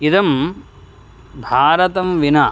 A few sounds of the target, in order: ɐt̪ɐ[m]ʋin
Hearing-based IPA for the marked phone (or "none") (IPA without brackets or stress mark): m